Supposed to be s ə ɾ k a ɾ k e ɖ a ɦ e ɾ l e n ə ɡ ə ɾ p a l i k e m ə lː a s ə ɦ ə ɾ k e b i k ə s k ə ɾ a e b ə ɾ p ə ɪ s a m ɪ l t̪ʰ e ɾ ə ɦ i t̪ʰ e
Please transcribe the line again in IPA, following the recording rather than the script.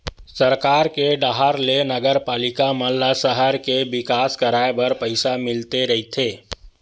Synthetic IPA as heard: s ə ɾ k a ɾ k e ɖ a ɦ a ɾ l e n ə ɡ ə ɾ p a l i k a m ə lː a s ə ɦ ə ɾ k e b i k a s k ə ɾ a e b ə ɾ p ə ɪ s a m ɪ l t̪ e ɾ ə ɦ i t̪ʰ e